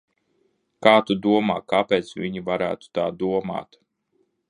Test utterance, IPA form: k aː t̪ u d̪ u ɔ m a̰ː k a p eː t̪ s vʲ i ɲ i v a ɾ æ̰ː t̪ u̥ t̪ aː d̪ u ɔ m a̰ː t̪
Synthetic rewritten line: k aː t̪ u d̪ u ɔ m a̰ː k a p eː t̪ s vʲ i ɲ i v a ɾ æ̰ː t̪ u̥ t̪ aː d̪ u ɔ m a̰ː t̪